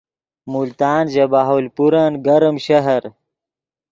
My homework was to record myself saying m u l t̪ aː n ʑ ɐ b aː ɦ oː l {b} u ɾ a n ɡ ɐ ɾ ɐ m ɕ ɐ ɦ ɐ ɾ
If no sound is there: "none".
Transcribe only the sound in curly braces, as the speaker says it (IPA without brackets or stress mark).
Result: p